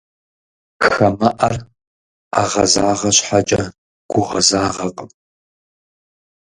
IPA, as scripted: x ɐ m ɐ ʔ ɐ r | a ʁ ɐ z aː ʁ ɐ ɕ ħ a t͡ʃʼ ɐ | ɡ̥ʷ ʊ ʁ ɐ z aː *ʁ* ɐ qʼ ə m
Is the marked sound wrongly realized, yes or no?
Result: no